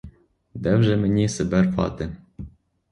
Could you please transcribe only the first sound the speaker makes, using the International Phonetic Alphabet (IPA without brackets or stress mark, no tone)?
d̪